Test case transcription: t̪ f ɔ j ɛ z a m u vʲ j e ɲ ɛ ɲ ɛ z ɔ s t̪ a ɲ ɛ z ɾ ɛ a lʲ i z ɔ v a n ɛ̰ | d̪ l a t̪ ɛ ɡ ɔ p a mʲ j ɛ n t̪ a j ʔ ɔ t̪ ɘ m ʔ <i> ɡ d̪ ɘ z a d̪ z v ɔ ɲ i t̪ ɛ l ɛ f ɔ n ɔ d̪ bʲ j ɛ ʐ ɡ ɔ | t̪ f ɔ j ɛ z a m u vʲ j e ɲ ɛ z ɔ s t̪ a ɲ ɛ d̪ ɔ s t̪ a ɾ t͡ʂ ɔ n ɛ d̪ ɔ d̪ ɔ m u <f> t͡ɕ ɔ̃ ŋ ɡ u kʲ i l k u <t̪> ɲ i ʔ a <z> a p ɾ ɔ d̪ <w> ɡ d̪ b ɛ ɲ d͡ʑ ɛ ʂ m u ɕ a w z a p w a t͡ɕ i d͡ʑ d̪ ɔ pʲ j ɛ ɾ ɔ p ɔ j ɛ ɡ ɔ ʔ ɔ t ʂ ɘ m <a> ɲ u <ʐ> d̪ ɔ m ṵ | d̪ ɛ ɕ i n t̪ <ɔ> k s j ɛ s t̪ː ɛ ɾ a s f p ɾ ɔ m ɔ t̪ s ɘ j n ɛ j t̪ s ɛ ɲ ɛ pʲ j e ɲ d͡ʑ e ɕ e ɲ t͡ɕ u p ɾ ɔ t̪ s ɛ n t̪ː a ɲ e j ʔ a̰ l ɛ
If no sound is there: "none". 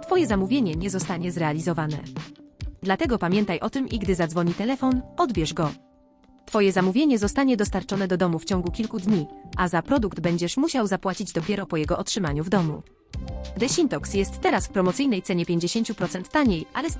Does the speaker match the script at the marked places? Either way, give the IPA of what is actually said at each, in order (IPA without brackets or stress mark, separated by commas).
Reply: i, f, d̪, z, u, a, v, ɔ